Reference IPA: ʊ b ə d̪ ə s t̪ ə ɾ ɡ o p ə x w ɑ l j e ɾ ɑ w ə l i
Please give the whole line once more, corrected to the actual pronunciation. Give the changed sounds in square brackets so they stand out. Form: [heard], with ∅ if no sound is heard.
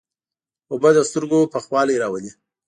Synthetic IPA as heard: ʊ b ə d̪ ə s t̪ ə ɾ ɡ o p ə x w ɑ l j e ɾ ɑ w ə l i